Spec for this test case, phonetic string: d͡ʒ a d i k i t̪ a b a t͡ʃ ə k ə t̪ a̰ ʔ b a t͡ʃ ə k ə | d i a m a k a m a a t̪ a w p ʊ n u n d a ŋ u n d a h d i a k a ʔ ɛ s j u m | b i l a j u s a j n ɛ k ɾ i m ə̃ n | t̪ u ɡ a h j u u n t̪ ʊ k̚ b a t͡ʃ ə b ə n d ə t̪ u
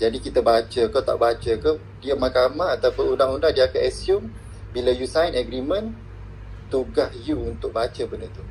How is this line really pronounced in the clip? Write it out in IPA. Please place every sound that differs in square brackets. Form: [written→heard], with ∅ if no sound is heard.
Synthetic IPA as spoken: d͡ʒ a d i k i t̪ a b a t͡ʃ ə k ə t̪ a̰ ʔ b a t͡ʃ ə k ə | d i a m a k a m a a t̪ a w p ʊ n u n d a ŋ u n d a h d i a k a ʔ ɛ s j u m | b i l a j u s a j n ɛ [k→ɡ] ɾ i m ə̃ n | t̪ u ɡ a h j u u n t̪ ʊ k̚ b a t͡ʃ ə b ə n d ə t̪ u